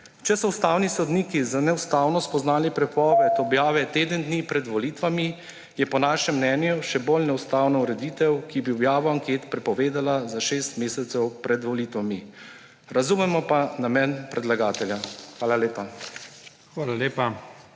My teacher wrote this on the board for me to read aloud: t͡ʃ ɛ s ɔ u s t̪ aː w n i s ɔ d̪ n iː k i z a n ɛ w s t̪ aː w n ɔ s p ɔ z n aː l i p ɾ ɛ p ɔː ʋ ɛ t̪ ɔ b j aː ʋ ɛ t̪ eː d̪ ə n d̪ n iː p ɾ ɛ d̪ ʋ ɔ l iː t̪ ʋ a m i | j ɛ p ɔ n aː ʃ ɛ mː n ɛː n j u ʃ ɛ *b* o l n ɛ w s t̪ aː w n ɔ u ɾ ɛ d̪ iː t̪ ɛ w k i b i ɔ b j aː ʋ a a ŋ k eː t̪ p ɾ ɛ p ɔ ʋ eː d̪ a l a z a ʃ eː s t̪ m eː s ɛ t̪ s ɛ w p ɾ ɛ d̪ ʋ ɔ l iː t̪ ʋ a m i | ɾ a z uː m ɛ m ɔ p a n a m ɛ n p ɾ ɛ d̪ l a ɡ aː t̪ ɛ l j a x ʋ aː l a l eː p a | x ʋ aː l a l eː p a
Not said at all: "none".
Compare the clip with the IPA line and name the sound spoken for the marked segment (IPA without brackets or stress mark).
b